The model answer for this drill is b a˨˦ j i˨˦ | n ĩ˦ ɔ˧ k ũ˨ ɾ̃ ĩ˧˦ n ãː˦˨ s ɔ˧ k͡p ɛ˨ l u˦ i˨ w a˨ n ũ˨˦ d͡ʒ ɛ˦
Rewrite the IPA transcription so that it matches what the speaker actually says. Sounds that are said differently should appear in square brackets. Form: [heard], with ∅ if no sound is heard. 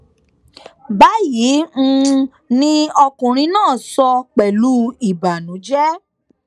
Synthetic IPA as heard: b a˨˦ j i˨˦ | n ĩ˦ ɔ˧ k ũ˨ ɾ̃ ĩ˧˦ n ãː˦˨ s ɔ˧ k͡p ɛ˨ l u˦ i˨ [b] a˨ n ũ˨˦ d͡ʒ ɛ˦

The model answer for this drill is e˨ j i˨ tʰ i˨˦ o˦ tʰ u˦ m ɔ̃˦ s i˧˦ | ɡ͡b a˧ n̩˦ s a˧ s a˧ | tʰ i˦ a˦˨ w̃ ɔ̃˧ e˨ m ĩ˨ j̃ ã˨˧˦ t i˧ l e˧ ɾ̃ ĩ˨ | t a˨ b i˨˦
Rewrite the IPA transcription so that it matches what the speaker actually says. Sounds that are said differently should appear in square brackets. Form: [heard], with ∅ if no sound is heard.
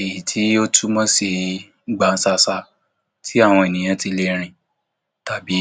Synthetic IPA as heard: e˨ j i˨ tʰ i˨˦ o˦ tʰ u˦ m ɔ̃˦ s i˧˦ | ɡ͡b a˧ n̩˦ s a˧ s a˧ | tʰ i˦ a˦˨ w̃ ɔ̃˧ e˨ [n] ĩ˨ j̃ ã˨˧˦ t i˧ l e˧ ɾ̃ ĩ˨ | t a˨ b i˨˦

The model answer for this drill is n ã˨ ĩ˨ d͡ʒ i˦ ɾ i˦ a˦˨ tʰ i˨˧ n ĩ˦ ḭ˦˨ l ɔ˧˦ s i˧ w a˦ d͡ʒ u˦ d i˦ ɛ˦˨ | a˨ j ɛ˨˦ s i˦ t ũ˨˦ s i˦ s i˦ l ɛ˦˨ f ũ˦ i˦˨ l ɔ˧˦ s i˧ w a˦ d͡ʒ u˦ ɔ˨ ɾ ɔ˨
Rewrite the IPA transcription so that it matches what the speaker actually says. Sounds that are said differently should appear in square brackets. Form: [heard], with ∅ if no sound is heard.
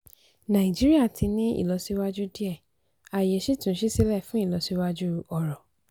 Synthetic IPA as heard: n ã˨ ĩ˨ d͡ʒ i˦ ɾ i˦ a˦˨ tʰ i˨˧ n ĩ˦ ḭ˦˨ l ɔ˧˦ s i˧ w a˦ d͡ʒ u˦ d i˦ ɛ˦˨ | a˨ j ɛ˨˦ [ʃ] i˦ t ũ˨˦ [ʃ] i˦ s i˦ l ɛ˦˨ f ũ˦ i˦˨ l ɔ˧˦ s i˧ w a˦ d͡ʒ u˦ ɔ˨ ɾ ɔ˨

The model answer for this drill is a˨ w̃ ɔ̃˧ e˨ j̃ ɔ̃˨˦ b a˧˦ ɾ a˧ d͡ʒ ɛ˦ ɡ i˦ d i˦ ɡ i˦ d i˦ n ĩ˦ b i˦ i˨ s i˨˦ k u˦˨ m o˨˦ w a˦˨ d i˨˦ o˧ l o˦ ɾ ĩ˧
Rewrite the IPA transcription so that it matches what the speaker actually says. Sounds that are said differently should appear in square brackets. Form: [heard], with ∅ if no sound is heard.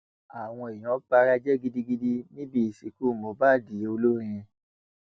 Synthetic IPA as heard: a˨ w̃ ɔ̃˧ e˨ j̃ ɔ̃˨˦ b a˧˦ ɾ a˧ d͡ʒ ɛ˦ ɡ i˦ d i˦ ɡ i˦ d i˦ n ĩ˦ b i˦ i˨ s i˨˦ k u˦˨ m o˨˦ [b] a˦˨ d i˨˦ o˧ l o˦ ɾ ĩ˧

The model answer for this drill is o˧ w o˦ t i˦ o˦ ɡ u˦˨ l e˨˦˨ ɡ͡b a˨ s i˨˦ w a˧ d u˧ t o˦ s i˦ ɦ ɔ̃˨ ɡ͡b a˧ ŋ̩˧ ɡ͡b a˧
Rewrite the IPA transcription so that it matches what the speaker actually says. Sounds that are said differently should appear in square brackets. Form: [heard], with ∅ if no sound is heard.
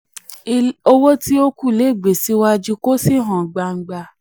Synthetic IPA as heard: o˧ w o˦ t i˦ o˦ [k] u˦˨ l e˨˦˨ ɡ͡b [e˨] s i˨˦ w a˧ [d͡ʒ] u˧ [k] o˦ s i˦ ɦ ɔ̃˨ ɡ͡b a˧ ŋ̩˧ ɡ͡b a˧

